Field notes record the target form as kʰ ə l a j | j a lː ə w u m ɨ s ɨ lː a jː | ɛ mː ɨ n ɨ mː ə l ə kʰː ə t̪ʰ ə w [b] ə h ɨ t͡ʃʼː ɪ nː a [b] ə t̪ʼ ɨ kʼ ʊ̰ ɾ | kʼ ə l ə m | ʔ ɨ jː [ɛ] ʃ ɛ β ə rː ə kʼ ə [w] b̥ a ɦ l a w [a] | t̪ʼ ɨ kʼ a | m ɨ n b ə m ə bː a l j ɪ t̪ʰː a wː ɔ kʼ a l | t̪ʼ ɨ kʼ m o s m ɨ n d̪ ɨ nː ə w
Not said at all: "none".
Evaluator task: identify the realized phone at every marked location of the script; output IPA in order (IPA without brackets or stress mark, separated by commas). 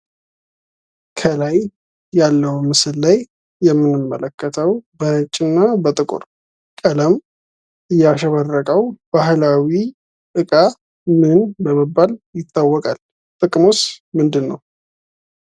b, b, a, w, i